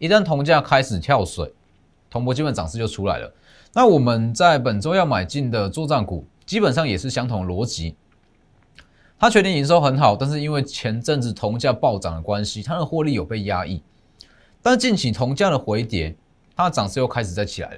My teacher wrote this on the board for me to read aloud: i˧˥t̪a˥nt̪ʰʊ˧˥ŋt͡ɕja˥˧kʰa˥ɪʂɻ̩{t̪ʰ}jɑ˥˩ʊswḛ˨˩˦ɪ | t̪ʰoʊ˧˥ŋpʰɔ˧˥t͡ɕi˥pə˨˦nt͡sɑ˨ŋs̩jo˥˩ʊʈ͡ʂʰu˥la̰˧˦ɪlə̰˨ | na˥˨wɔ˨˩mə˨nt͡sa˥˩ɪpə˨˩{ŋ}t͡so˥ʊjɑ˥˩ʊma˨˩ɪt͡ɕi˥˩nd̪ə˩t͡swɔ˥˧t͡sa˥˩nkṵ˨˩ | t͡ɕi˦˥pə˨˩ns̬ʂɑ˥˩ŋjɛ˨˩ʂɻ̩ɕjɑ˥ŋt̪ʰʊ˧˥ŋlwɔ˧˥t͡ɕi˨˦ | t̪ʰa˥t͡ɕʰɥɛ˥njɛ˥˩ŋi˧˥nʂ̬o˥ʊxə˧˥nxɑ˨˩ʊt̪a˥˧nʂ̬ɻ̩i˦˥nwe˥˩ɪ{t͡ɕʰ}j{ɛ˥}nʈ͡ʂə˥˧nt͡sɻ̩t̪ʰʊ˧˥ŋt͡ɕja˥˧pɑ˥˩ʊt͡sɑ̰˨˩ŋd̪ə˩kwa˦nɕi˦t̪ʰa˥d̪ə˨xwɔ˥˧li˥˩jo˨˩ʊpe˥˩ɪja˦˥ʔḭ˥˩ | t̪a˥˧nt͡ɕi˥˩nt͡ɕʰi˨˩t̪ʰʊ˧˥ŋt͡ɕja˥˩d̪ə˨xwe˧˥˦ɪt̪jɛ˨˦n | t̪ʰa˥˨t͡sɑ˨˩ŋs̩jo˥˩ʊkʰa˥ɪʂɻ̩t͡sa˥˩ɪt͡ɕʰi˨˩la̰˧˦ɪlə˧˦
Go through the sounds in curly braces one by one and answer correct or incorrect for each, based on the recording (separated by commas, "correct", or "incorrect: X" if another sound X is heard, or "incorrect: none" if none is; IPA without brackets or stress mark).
correct, incorrect: n, correct, incorrect: ɛ˧˥